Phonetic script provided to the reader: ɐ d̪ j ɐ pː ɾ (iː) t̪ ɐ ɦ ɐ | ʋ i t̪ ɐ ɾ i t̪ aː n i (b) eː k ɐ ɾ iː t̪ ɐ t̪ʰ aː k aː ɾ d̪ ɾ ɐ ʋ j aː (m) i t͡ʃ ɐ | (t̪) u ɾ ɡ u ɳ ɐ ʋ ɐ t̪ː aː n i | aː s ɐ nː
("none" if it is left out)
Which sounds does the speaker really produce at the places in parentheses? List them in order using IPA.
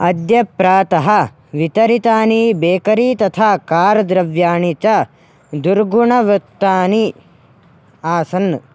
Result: aː, b, ɳ, d̪

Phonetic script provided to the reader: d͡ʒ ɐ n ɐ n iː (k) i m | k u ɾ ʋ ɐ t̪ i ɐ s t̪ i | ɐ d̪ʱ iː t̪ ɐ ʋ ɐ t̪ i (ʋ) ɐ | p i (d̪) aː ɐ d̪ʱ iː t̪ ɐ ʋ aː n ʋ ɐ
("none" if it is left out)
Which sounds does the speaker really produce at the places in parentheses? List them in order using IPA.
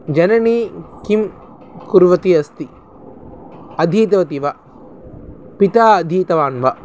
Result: k, ʋ, t̪

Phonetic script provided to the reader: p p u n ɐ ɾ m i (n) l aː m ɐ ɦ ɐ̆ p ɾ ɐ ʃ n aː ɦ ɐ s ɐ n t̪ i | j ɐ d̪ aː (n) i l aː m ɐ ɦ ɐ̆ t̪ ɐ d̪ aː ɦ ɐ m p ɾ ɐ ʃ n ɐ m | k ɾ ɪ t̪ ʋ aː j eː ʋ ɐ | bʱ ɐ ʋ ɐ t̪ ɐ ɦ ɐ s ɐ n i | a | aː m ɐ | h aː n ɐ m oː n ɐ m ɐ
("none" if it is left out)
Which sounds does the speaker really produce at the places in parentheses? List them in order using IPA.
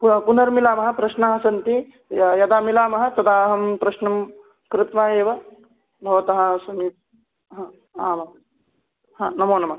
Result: none, m

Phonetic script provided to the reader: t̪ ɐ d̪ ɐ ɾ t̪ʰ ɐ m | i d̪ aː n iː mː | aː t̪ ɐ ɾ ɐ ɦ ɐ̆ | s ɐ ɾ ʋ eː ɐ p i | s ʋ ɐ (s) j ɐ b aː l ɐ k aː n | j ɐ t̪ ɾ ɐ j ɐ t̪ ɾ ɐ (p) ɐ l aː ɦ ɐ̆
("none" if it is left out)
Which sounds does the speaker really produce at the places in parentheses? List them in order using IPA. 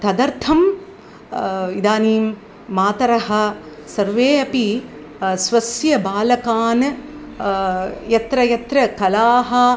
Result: s, k

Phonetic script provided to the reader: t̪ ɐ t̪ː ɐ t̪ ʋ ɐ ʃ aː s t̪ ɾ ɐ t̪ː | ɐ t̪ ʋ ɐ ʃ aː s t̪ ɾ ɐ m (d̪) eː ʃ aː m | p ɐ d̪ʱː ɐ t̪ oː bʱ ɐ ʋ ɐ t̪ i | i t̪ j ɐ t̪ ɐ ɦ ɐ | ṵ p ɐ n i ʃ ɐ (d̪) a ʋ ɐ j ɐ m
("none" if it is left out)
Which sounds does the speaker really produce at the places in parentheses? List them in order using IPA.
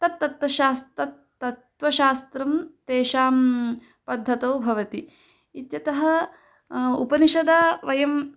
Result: t̪, d̪

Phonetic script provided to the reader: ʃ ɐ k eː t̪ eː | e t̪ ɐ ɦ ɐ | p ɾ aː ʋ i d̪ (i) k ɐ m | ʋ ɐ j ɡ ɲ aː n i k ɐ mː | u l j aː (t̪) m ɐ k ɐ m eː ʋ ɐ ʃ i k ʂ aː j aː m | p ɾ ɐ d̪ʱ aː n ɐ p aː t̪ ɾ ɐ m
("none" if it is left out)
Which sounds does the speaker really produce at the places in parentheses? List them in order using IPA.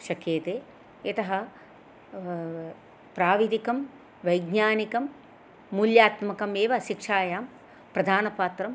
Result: i, t̪

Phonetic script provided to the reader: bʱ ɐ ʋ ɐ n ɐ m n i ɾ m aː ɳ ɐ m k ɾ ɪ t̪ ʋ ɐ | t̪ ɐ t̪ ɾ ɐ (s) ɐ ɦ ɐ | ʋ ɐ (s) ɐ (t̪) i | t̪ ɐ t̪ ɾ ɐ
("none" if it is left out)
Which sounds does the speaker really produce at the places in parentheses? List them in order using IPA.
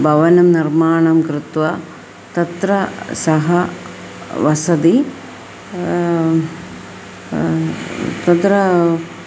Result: s, s, d̪

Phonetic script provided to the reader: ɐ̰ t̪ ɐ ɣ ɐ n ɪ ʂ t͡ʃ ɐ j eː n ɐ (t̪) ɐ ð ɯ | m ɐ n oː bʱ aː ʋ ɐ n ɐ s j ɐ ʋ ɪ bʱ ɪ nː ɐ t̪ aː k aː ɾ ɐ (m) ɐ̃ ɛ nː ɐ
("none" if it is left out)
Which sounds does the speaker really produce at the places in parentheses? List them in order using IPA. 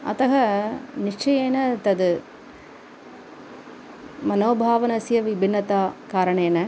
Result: t̪, ɳ

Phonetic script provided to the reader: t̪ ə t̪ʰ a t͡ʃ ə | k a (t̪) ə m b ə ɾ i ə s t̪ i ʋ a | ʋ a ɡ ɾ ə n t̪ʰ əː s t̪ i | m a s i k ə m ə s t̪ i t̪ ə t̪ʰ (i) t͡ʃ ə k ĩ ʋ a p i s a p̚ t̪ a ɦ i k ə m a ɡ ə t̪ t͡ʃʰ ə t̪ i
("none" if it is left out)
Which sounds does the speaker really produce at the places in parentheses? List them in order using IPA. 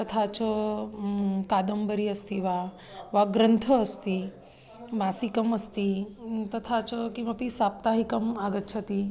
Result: d̪, a

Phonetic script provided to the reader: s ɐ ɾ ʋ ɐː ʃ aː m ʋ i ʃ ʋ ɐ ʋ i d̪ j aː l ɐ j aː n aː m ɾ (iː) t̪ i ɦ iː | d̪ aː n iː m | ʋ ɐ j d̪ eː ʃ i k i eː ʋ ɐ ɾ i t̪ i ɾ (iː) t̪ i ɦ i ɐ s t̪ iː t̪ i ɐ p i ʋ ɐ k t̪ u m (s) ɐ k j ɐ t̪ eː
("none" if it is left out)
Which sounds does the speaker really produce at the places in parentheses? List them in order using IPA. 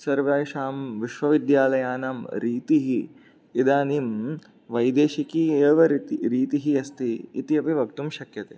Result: iː, iː, ʃ

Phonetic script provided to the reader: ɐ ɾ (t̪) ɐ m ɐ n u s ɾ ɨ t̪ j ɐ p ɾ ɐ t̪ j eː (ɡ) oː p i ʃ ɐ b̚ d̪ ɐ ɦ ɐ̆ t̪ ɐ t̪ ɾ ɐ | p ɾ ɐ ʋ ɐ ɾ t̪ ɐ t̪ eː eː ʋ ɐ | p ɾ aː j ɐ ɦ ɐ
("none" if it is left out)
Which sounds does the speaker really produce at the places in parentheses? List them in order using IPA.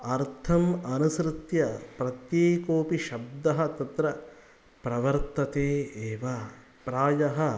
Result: t̪ʰ, k

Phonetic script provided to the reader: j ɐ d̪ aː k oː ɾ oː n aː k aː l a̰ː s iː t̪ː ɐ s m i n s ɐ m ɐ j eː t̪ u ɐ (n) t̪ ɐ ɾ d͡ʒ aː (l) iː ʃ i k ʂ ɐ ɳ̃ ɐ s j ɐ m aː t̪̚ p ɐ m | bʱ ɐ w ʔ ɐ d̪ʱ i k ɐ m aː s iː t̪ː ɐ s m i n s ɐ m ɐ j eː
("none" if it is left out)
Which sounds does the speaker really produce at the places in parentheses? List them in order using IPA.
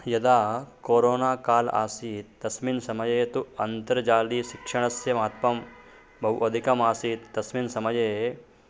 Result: n, l

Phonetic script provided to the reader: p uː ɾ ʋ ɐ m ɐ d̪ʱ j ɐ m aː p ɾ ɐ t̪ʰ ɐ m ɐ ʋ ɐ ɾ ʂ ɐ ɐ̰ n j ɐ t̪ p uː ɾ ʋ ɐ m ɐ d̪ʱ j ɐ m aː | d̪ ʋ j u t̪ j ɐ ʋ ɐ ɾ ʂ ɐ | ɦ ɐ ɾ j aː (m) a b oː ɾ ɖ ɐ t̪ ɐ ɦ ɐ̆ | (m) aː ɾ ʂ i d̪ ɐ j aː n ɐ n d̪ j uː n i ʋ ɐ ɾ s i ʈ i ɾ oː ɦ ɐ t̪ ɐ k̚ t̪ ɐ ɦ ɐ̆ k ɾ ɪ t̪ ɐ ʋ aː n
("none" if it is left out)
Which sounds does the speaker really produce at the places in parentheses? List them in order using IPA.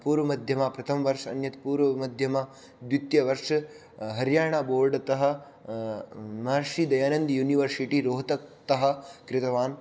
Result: ɳ, m

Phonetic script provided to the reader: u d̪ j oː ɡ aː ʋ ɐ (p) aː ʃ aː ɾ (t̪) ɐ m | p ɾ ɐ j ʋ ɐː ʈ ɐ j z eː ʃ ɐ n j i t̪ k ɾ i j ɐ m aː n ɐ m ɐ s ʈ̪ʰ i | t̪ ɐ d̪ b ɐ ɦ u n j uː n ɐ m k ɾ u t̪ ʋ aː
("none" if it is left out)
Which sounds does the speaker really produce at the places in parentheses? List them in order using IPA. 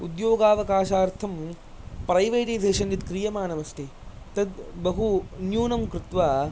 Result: k, t̪ʰ

